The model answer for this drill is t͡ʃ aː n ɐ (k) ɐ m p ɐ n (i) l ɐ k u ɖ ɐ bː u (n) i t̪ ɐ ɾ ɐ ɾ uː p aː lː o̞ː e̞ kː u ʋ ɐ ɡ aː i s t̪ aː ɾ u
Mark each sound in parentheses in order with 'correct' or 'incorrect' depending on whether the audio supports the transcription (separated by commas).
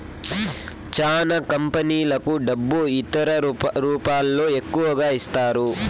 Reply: correct, incorrect, incorrect